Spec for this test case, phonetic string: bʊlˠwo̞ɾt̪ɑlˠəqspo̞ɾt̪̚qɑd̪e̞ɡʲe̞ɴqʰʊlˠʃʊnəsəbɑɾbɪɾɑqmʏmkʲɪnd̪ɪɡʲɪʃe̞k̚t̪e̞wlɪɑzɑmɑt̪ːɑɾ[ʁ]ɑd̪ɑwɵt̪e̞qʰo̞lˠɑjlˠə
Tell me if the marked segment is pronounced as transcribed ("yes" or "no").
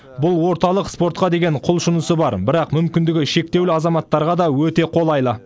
yes